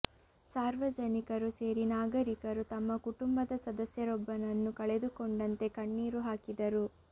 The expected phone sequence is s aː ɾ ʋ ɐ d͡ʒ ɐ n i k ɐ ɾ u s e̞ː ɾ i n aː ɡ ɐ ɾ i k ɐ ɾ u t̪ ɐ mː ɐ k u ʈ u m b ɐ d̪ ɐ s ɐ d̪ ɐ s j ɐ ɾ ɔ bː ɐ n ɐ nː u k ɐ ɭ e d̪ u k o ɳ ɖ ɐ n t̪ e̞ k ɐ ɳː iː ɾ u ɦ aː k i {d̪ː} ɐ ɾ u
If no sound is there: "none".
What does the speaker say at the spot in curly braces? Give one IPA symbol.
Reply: d̪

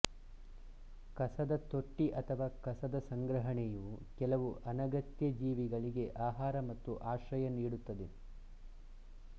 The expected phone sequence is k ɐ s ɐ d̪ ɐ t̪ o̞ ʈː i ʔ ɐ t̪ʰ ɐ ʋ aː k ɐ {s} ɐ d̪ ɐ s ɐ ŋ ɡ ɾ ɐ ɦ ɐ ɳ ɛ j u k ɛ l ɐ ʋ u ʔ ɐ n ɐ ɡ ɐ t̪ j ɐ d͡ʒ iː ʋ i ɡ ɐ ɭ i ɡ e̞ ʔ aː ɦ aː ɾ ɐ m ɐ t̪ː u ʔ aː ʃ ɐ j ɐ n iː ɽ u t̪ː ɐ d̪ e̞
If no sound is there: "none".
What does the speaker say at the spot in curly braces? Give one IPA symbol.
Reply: s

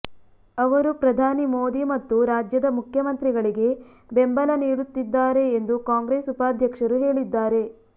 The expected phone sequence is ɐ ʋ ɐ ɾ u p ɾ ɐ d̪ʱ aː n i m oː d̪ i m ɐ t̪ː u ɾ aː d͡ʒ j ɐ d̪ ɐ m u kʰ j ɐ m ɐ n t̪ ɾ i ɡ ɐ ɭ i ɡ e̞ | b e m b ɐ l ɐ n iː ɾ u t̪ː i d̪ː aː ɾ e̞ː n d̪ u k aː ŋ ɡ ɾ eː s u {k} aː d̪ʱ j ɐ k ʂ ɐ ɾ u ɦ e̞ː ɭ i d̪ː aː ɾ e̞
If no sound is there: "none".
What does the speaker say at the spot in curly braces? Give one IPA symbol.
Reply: p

